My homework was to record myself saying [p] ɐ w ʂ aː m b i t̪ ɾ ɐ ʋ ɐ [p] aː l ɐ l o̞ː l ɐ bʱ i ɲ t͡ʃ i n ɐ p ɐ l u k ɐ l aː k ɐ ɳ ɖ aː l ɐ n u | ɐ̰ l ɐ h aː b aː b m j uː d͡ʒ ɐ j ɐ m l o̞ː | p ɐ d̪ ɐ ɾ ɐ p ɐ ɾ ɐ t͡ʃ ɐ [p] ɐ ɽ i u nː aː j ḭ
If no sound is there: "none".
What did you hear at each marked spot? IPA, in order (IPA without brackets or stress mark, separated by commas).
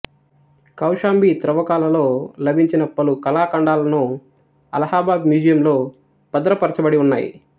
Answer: k, k, b